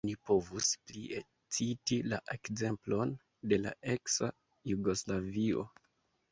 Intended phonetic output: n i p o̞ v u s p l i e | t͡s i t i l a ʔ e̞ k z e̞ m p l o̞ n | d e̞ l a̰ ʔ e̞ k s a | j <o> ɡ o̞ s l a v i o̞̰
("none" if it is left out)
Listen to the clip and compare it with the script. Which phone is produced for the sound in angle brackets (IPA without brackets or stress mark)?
u